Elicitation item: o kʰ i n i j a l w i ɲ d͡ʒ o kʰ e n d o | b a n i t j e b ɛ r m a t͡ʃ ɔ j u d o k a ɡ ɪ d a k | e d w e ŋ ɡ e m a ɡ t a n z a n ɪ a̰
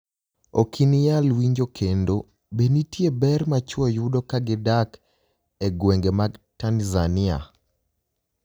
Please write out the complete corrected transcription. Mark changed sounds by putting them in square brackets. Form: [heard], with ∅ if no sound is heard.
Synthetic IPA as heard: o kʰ i n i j a l w i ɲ d͡ʒ o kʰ e n d o | b [e] n i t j e b ɛ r m a t͡ʃ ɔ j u d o k a ɡ ɪ d a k | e [ɡ] w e ŋ ɡ e m a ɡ t a n z a n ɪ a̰